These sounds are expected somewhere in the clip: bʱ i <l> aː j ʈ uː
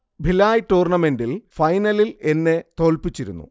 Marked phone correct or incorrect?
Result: correct